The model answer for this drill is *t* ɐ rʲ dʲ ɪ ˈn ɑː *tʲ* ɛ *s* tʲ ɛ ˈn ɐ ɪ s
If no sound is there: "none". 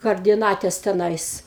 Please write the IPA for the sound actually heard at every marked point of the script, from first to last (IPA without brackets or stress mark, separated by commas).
k, tʲ, s